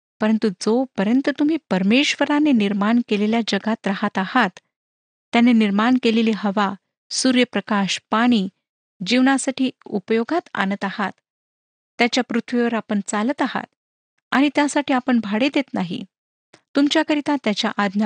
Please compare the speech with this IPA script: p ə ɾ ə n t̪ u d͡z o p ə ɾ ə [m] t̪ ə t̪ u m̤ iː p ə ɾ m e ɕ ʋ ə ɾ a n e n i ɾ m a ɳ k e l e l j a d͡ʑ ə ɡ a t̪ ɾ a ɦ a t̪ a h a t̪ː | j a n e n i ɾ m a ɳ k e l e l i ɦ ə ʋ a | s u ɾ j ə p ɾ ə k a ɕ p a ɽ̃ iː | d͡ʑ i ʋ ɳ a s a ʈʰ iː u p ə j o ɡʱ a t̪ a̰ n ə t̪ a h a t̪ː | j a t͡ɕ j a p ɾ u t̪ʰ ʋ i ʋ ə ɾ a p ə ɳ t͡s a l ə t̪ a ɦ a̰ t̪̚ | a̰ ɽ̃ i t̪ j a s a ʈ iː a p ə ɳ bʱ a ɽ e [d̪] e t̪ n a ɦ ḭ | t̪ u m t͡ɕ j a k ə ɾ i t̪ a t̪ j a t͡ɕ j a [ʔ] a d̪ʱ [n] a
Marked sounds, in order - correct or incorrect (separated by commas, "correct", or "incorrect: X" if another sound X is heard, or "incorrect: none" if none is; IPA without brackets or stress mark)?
incorrect: n, correct, correct, correct